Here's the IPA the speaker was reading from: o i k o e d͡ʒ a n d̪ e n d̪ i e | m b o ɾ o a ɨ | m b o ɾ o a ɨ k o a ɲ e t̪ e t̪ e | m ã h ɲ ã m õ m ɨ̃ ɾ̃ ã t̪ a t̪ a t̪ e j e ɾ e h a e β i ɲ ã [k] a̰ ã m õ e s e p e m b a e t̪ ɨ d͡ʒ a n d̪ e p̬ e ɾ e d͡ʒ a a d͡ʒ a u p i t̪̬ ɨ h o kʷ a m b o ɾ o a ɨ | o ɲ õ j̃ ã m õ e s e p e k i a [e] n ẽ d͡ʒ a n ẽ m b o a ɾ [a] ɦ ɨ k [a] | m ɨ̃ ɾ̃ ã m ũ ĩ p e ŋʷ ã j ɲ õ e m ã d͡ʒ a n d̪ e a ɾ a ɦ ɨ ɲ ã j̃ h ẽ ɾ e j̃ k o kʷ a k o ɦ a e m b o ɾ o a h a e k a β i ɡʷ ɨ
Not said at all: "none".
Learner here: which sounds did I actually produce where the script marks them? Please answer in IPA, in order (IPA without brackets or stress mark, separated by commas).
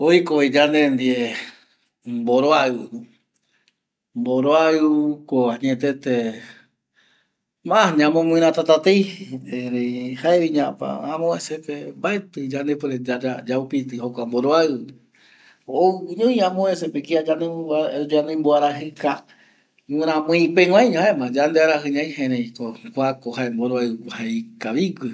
p, a, a, a